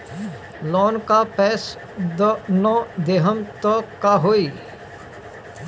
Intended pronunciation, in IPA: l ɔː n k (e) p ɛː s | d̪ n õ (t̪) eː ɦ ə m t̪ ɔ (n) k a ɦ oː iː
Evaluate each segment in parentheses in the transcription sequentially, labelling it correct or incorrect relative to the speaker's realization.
incorrect, incorrect, incorrect

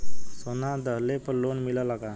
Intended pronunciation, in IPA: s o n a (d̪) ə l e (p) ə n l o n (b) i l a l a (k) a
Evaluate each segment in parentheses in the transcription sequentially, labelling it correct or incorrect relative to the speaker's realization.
correct, correct, incorrect, incorrect

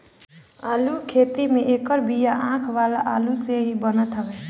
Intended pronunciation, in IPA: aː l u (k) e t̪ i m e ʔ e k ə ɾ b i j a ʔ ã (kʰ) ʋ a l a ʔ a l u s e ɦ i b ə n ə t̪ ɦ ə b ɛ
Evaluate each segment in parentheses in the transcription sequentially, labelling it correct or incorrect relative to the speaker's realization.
incorrect, correct

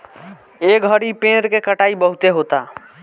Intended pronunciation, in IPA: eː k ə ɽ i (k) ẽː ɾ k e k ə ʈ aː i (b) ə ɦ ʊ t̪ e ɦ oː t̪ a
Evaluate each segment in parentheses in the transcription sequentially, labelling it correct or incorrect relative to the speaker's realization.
incorrect, correct

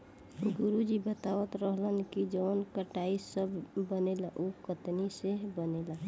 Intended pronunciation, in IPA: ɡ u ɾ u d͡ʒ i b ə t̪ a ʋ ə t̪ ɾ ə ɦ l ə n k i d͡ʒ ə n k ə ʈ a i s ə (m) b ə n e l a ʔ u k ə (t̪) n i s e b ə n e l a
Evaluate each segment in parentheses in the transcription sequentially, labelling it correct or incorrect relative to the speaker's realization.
incorrect, correct

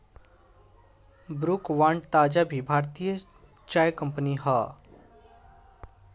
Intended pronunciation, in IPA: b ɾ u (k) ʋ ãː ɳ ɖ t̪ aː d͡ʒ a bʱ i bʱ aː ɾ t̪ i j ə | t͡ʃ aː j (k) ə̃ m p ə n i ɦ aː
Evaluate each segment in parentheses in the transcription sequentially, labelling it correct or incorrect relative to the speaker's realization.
correct, correct

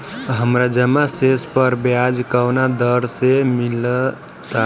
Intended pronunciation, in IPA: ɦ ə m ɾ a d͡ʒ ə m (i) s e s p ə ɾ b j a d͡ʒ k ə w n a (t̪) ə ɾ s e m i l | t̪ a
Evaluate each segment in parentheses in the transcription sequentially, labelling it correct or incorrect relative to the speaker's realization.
incorrect, incorrect

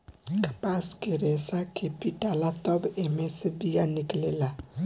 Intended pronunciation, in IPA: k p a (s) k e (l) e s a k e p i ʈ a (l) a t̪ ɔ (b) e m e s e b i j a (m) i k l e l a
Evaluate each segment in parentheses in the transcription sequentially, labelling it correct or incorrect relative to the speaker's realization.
correct, incorrect, correct, correct, incorrect

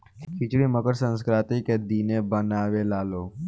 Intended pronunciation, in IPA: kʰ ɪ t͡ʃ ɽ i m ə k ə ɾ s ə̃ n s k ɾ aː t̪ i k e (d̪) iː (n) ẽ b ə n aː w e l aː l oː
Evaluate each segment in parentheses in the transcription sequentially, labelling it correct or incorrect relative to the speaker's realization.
correct, correct

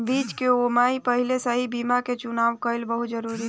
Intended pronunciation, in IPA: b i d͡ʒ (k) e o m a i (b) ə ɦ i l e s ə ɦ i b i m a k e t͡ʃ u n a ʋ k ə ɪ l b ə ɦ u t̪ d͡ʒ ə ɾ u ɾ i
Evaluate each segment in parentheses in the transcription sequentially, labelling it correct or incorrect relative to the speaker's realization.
correct, incorrect

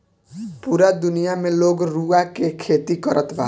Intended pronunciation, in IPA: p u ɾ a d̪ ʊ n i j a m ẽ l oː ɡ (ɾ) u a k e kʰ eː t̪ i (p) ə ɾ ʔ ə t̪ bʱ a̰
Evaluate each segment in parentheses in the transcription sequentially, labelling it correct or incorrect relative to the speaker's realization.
correct, incorrect

